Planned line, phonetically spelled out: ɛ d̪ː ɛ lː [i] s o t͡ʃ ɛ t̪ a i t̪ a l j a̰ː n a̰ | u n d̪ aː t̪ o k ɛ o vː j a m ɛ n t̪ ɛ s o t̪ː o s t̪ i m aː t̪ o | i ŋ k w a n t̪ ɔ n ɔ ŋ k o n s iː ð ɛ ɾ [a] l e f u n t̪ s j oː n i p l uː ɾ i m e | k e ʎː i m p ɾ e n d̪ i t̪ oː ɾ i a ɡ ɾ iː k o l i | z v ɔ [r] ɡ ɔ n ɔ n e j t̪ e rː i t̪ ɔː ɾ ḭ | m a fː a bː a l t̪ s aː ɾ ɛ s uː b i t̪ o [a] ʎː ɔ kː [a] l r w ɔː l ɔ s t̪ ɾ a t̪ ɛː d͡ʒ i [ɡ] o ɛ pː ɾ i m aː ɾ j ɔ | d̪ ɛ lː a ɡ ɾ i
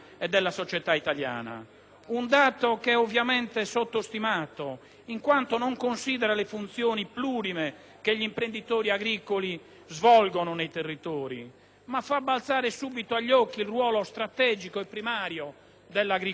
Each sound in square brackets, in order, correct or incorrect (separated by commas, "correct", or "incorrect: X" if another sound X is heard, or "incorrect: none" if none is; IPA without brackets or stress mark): incorrect: a, correct, incorrect: l, correct, incorrect: i, incorrect: k